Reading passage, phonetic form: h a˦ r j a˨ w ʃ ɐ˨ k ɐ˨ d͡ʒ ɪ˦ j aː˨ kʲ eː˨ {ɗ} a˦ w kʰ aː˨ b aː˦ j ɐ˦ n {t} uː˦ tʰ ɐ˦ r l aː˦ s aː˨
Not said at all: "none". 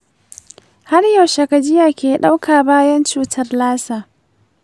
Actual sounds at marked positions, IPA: ɗ, t͡ʃ

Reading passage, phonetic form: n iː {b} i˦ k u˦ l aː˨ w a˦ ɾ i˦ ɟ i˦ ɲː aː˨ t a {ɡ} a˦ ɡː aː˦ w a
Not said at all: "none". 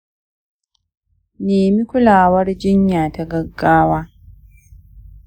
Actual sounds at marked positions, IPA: m, ɡ

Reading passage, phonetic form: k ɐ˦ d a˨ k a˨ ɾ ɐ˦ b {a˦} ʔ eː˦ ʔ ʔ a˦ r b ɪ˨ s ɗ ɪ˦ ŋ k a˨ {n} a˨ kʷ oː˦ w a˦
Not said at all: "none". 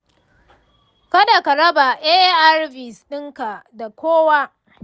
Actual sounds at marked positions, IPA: a˨, d

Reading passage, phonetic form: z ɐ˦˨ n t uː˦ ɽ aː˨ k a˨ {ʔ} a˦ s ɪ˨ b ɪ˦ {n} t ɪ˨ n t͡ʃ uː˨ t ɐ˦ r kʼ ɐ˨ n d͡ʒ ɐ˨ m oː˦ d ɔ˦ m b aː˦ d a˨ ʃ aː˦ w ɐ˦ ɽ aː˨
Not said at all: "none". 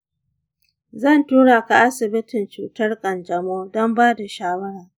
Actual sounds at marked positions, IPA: ʔ, none

